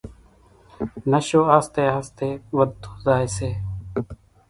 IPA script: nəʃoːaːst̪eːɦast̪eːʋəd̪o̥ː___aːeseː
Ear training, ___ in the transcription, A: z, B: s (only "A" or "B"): A